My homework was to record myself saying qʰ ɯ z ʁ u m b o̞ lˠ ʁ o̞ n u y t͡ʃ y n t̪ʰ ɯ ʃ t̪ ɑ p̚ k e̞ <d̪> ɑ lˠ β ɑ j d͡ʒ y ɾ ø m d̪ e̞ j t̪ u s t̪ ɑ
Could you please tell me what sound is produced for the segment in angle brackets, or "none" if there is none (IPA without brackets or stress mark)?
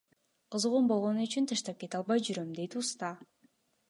t̪